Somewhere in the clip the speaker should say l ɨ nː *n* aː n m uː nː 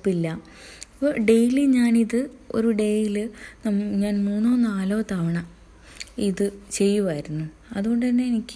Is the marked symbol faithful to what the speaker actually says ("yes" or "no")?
no